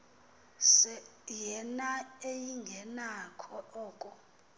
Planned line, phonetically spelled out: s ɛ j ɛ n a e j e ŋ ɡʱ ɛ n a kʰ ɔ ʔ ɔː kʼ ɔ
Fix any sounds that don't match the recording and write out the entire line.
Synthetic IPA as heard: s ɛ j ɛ n a e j i ŋ ɡʱ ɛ n a kʰ ɔ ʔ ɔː kʼ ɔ

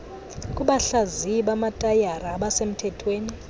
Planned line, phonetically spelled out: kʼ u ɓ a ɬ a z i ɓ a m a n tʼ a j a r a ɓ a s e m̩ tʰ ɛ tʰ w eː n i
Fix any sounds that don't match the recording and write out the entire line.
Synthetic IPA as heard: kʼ u ɓ a ɬ a z i ɓ a m a tʼ a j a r a ɓ a s e m̩ tʰ ɛ tʰ w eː n i

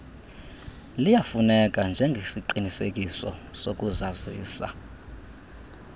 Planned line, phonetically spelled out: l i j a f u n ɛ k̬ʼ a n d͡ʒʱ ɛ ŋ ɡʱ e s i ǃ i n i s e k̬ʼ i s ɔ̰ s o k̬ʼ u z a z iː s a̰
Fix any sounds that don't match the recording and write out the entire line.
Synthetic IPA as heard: l i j a f u n ɛ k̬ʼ a n d͡ʒʱ ɛ ŋ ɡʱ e s i ǃ i n i s e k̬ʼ i s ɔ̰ s o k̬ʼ u z a z iː s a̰

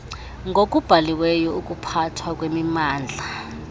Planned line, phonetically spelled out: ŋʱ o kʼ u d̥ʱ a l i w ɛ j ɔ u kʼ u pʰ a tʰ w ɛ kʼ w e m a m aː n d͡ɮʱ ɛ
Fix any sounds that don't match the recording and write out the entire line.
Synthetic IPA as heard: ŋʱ o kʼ u b̥ʱ a l i w ɛ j ɔ u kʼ u pʰ a tʰ w a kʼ w e m i m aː n d͡ɮʱ a

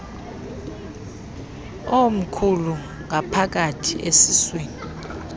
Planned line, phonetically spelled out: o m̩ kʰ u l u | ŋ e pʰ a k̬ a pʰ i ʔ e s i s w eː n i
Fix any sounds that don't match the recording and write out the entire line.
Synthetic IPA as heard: o m̩ kʰ u l u | ŋ a pʰ a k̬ a tʰ i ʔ e s i s w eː n i

